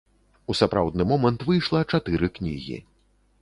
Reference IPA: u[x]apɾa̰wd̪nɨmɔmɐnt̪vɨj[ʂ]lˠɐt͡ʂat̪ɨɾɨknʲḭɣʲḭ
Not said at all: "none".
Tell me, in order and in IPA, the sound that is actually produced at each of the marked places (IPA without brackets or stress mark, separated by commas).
s, ʂ